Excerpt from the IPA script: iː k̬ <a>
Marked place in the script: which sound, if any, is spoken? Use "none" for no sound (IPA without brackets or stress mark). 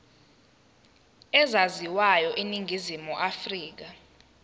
a